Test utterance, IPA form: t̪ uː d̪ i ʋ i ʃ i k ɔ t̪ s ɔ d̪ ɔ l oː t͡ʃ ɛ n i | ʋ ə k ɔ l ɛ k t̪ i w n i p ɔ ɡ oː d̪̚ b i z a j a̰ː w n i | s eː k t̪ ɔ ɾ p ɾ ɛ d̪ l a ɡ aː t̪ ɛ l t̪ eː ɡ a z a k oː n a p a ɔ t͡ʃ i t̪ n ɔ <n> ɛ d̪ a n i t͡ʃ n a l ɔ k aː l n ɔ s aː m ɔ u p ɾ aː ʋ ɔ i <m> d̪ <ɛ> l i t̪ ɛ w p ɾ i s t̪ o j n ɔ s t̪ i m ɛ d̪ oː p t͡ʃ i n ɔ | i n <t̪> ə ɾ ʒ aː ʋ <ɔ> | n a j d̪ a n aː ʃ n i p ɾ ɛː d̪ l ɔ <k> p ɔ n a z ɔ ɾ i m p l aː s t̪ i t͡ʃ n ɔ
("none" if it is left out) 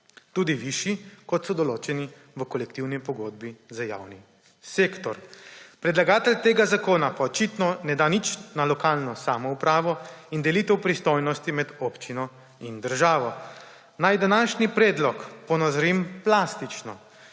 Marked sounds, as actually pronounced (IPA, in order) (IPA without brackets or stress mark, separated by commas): n, n, ɛ, d̪, ɔ, k